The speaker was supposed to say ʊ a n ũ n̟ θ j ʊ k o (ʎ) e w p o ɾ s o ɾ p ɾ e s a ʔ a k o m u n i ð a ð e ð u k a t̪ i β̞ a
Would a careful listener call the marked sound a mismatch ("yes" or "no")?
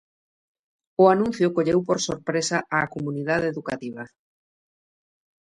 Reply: no